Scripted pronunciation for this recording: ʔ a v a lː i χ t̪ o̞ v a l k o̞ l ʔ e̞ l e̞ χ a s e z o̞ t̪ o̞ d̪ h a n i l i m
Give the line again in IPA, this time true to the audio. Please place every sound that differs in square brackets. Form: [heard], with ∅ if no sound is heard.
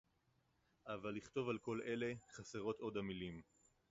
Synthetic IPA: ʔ a v a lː i χ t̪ o̞ v a l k o̞ l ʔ e̞ l e̞ χ a s e [ʁ] o̞ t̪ o̞ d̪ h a [m] i l i m

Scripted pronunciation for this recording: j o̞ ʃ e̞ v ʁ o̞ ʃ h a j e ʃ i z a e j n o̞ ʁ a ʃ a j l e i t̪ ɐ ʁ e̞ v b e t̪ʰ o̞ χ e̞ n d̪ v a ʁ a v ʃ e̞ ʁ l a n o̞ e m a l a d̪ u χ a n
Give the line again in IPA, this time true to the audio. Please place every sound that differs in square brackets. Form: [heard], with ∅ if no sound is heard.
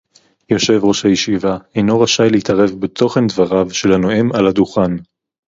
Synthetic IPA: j o̞ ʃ e̞ v ʁ o̞ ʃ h a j e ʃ i [v] a e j n o̞ ʁ a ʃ a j l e i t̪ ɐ ʁ e̞ v b e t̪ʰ o̞ χ e̞ n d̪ v a ʁ a v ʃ e̞ [∅] l a n o̞ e m a l a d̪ u χ a n

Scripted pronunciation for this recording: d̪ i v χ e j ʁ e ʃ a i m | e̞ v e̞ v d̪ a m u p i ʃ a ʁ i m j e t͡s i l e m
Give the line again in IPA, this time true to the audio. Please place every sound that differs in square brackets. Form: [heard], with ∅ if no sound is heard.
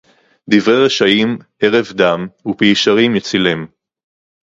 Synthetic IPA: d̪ i v [ʁ] e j ʁ e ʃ a i m | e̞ [ʁ] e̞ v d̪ a m u p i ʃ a ʁ i m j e t͡s i l e m

